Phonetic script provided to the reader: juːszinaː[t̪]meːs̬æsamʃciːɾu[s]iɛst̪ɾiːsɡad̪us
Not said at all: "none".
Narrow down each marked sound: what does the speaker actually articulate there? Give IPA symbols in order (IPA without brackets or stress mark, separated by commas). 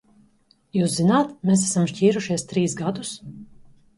t̪, ʃ